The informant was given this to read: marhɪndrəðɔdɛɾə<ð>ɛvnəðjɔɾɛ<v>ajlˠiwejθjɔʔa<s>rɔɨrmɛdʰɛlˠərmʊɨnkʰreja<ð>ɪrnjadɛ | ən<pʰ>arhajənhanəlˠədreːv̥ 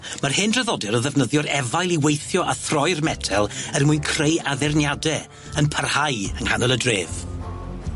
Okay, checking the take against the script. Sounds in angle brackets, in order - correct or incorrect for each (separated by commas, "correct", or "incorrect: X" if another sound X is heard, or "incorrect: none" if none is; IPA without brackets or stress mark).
correct, correct, incorrect: θ, correct, correct